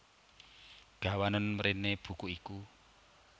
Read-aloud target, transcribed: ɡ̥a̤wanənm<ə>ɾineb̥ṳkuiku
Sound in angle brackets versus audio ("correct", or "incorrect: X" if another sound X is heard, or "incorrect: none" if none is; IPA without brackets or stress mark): correct